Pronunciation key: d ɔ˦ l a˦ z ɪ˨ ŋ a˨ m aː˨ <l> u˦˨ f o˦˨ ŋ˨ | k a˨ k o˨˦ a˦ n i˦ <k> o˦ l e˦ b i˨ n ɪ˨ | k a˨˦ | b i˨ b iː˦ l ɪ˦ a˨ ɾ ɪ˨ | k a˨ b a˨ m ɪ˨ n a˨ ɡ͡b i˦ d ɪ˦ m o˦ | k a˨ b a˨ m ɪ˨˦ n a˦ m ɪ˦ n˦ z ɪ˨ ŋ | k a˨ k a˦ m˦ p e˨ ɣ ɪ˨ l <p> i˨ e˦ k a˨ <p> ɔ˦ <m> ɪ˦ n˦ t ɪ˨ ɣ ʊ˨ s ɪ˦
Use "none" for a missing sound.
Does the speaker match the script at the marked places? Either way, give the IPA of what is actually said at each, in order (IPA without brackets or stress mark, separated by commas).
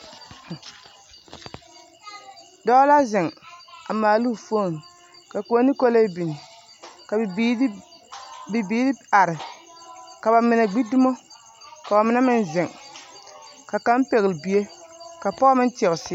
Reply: l, k, b, p, m